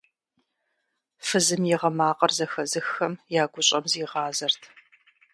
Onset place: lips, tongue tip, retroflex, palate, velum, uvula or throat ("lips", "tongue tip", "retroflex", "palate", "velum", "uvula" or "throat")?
lips